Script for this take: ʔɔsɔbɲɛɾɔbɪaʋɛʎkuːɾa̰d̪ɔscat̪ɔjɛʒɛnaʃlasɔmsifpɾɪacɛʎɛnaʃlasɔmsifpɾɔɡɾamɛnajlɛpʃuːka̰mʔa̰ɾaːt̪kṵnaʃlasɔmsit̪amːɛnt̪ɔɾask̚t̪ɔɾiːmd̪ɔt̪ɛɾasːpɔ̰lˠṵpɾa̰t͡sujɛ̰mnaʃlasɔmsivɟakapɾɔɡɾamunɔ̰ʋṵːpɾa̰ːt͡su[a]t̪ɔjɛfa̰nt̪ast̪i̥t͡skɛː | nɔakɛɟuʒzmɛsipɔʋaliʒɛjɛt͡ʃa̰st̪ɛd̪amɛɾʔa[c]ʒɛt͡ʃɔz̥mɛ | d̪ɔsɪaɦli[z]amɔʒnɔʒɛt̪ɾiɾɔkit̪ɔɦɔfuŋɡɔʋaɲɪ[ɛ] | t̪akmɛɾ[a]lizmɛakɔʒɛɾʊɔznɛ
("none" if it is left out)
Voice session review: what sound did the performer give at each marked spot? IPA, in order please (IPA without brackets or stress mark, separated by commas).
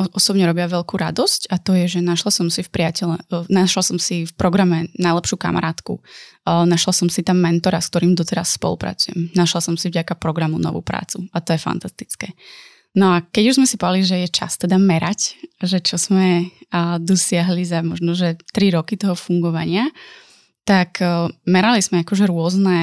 a, c, z, a, a